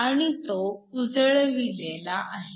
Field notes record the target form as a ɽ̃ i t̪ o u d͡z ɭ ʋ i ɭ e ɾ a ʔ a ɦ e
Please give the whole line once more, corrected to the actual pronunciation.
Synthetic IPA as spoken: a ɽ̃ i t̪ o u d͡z ɭ ʋ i l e l a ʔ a ɦ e